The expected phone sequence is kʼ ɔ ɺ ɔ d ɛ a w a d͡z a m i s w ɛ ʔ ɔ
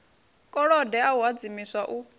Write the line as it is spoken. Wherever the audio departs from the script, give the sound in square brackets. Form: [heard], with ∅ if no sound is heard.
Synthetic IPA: kʼ ɔ ɺ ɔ d ɛ a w a d͡z [i] m i s w [a] ʔ [u]